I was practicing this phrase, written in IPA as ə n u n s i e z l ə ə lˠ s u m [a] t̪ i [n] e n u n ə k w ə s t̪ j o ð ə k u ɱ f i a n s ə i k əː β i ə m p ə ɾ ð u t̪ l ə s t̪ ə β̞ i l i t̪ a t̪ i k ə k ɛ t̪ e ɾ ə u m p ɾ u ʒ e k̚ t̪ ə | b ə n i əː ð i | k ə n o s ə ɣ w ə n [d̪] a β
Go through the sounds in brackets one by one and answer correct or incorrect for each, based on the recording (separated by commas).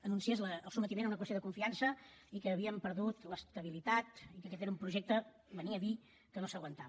incorrect, incorrect, incorrect